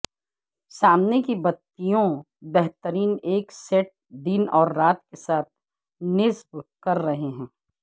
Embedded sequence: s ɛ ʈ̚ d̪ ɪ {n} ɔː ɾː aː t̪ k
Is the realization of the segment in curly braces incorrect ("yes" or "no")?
no